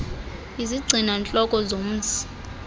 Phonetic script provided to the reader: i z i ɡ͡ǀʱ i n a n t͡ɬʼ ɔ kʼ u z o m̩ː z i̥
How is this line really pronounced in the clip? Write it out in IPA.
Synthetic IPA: i z i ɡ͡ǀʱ i n a n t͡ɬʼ ɔ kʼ ɔ z o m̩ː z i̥